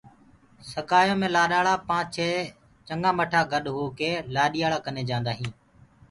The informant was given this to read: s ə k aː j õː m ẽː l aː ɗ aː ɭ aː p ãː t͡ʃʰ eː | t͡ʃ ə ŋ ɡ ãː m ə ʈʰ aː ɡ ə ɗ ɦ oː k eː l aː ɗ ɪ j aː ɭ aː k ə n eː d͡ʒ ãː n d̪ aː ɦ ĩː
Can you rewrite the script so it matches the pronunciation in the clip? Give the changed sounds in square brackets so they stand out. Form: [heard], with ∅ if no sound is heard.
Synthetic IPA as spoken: s ə k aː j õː m ẽː l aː ɗ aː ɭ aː p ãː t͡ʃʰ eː | t͡ʃ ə ŋ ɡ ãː m ə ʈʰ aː ɡ ə ɗ ɦ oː k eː l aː ɗ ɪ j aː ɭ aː k ə n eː d͡ʒ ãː n d̪ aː ɦ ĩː